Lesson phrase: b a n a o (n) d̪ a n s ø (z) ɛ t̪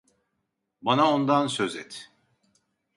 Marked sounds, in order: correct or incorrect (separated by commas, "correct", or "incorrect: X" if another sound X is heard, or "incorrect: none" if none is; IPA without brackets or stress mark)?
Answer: correct, correct